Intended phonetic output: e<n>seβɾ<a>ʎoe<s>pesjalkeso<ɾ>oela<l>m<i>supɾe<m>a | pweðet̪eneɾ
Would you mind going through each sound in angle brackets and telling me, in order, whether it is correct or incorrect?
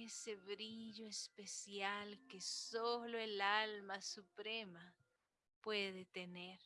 incorrect, incorrect, correct, incorrect, correct, incorrect, correct

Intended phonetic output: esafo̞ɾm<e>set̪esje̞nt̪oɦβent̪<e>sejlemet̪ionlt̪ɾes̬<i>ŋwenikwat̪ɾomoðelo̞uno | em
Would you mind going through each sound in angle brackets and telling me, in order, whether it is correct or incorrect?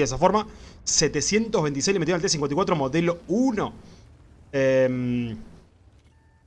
incorrect, incorrect, correct

